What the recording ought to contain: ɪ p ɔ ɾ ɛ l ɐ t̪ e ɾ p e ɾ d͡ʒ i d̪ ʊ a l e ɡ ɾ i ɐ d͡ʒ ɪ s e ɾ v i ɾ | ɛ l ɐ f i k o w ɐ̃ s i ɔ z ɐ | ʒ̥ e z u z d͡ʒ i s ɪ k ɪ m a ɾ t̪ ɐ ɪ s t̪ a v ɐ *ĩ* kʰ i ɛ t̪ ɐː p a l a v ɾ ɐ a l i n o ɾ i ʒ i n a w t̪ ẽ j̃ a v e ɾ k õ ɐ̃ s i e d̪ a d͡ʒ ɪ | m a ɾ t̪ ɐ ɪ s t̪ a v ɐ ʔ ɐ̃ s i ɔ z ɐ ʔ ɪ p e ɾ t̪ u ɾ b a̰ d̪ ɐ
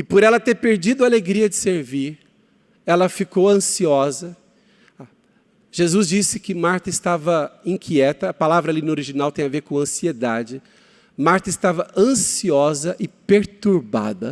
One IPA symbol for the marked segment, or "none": ĩ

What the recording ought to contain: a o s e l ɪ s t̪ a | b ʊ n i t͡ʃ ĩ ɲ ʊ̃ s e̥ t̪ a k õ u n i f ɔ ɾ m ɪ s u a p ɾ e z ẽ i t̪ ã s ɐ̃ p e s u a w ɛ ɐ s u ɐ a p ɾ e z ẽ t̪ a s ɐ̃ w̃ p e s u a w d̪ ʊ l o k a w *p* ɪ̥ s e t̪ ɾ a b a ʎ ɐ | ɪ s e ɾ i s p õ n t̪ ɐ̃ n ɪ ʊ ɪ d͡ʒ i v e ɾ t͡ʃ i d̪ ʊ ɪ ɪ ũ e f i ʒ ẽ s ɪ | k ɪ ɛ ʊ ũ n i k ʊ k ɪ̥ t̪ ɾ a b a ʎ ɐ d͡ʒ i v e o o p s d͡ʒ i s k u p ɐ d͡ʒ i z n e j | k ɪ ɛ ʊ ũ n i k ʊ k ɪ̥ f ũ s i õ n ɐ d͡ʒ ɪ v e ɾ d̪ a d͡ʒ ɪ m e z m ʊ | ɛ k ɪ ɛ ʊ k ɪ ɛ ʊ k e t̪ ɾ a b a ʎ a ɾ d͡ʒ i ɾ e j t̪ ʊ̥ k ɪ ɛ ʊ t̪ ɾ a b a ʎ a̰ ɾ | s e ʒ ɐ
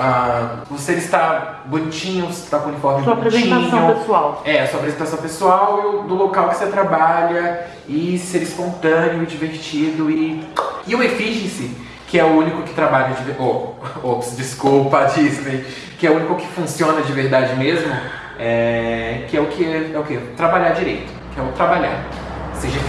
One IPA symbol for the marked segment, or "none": k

